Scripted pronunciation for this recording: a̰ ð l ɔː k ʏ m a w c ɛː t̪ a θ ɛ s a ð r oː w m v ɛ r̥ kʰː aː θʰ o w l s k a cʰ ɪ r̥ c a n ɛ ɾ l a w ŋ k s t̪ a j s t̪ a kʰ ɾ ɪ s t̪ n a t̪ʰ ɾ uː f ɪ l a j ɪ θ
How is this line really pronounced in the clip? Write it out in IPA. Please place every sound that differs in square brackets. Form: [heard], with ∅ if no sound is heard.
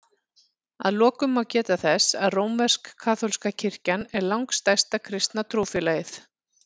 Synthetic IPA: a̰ ð l ɔː k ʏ m a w c ɛː t̪ a θ ɛ s a ð r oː w m v ɛ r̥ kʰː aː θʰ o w l s k a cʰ ɪ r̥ c a n ɛ ɾ l a w ŋ k s t̪ a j s t̪ a kʰ ɾ ɪ s t̪ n a t̪ʰ ɾ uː f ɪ l a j ɪ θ